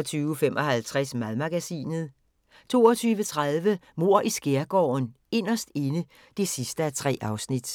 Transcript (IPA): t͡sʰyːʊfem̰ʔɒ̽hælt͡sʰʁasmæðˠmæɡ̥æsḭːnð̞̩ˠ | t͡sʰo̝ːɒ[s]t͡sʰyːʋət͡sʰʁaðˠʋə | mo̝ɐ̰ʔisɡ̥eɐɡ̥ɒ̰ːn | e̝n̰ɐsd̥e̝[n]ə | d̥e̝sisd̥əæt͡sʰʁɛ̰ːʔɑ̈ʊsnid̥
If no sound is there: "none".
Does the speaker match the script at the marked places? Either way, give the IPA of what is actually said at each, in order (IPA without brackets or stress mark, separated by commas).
none, n